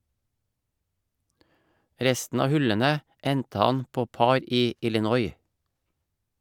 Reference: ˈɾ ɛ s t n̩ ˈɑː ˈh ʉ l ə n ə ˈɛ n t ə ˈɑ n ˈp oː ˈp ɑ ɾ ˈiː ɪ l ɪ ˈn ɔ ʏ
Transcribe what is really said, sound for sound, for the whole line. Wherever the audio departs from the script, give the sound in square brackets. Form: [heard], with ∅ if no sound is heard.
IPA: ˈɾ ɛ s t n̩ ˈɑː ˈh ʉ l ə n ə ˈɛ n t ə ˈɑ n ˈp oː ˈp ɑ ɾ ˈiː ɪ l ɪ ˈn ɔ ʏ